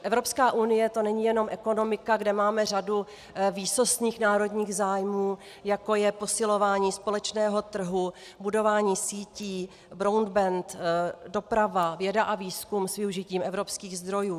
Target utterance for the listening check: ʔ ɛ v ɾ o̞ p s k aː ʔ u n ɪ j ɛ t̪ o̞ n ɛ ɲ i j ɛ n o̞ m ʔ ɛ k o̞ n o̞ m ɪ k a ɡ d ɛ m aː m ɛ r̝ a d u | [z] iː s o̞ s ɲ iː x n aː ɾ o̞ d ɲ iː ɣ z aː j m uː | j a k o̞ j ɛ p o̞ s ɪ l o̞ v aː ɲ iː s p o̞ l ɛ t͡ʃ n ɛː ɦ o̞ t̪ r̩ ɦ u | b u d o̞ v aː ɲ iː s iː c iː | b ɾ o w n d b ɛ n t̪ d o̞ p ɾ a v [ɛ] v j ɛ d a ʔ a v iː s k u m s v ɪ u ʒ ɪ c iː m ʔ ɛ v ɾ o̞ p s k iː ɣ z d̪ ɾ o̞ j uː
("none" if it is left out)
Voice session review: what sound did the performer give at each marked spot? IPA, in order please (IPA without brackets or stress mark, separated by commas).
v, a